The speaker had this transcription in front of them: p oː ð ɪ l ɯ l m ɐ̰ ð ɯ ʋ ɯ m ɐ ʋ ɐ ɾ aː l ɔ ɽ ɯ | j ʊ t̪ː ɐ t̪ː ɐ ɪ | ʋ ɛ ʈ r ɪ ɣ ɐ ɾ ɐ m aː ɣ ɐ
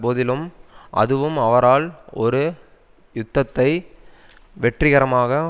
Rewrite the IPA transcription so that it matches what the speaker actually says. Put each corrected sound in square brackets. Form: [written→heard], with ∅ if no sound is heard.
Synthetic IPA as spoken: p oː ð ɪ l ɯ [l→∅] m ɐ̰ ð ɯ ʋ ɯ m ɐ ʋ ɐ ɾ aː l ɔ [ɽ→ɾ] ɯ | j ʊ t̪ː ɐ t̪ː ɐ ɪ | ʋ ɛ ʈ r ɪ ɣ ɐ ɾ ɐ m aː ɣ ɐ